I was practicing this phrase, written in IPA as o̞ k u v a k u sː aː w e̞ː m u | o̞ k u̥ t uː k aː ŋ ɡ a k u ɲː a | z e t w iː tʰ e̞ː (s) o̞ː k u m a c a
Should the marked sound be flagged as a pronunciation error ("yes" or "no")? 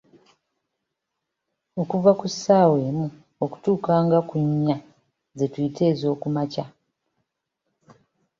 yes